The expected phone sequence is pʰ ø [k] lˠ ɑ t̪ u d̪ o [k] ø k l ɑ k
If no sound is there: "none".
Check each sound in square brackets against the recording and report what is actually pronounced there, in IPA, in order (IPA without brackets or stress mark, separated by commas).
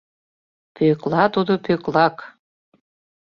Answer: k, p